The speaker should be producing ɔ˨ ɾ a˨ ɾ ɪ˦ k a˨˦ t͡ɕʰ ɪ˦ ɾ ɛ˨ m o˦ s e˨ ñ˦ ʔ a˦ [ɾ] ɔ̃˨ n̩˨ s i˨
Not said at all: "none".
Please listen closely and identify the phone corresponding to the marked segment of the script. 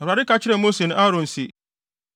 ɾ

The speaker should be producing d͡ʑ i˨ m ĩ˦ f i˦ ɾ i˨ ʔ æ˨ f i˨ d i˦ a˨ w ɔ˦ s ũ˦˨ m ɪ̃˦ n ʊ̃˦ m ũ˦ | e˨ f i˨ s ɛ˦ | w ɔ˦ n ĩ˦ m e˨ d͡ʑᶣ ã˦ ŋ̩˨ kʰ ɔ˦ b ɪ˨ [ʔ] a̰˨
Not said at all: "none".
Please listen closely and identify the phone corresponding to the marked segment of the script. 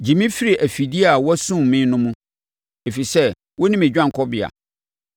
none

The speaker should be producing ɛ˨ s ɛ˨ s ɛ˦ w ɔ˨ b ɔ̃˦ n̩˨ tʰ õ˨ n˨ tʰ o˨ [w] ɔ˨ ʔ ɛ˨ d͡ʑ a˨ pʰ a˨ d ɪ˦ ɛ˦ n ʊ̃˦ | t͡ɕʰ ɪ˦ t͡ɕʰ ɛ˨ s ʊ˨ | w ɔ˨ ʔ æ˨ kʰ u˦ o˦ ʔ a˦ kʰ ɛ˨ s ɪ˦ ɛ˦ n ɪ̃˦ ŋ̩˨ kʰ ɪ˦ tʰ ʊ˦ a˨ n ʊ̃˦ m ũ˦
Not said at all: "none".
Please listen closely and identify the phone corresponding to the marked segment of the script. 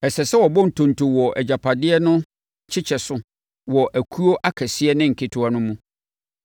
w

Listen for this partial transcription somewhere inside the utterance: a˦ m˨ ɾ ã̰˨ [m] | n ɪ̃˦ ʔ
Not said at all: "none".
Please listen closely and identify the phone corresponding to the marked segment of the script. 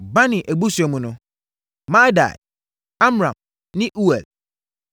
m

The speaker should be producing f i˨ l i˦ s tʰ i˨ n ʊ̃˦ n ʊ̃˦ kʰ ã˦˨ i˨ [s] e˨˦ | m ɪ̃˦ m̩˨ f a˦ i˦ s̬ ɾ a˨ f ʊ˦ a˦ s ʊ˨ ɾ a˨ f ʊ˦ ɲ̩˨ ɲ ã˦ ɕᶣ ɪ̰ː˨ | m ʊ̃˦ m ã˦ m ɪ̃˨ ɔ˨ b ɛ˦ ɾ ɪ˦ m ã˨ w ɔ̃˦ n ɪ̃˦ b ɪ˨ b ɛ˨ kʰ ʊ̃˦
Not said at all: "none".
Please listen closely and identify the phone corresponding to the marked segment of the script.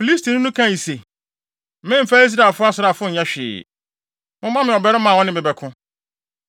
s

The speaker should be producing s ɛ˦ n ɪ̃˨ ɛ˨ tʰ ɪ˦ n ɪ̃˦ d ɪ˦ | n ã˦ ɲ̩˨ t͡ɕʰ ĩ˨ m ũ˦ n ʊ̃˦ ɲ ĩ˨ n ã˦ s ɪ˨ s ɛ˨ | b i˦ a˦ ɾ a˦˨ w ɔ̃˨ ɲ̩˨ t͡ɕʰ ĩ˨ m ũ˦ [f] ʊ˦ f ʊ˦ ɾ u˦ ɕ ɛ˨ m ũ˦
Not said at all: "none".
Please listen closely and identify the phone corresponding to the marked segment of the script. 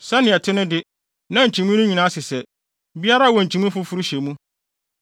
f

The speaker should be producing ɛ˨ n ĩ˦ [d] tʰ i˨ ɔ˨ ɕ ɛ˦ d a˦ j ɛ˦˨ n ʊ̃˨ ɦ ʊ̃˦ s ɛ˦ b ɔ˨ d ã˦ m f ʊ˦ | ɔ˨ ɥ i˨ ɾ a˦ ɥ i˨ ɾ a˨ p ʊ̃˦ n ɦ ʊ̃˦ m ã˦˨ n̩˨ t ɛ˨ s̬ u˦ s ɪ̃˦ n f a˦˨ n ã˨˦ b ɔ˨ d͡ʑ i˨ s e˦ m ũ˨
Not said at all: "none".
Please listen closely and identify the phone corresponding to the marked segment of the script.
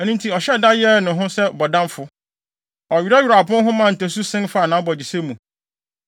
n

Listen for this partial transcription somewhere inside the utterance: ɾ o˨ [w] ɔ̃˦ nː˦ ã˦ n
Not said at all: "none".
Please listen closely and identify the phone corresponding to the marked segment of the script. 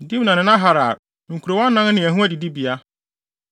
w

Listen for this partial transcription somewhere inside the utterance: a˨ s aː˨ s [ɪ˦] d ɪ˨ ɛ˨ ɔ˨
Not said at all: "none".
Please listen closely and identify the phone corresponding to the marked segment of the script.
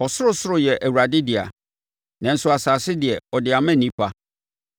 ɪ˦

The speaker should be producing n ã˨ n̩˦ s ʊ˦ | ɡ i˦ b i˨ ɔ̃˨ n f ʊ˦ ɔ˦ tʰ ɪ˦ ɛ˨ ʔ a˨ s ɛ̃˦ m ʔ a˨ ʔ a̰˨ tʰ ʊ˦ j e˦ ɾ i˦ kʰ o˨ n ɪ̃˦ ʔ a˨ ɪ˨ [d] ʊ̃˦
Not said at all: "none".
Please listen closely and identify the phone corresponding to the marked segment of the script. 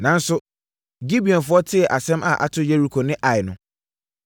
n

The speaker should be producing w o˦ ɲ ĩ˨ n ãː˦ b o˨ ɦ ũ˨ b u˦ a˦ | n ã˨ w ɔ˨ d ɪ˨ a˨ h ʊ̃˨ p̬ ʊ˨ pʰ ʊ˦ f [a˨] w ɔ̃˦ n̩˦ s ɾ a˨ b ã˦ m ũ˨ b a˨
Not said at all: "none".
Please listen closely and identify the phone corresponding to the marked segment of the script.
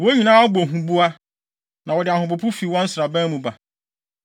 i˨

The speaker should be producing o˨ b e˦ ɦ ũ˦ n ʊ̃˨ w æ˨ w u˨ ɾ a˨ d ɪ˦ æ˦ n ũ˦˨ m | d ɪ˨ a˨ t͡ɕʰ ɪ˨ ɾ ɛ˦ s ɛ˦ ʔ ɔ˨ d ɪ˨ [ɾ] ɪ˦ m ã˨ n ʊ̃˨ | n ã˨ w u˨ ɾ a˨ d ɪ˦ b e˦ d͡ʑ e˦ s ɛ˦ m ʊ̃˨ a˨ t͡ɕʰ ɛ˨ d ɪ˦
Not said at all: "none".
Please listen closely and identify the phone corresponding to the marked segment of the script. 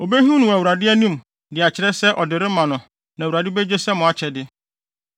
ɾ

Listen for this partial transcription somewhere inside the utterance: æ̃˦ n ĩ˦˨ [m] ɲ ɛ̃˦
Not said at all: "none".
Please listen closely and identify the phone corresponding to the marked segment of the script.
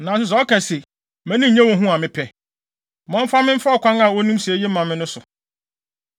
none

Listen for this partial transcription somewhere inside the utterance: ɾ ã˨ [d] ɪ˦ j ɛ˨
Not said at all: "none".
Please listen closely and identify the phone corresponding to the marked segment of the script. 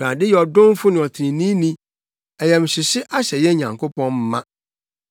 d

